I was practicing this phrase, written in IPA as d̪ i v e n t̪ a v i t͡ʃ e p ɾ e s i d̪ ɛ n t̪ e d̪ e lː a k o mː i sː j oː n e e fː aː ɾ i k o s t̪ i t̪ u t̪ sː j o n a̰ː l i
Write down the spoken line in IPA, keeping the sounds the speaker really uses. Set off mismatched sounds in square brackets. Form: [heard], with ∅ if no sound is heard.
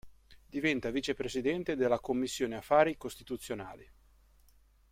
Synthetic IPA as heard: d̪ i v [ɛ] n t̪ a v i t͡ʃ e p ɾ e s i d̪ ɛ n t̪ e d̪ e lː a k o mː i sː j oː n e [a] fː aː ɾ i k o s t̪ i t̪ u t̪ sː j o n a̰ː l i